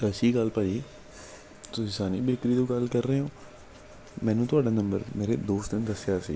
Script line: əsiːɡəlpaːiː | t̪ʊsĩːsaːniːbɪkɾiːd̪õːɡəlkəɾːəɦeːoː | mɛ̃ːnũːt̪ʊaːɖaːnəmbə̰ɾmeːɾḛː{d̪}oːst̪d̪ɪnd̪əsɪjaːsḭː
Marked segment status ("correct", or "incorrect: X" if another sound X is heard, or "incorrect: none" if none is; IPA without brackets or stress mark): correct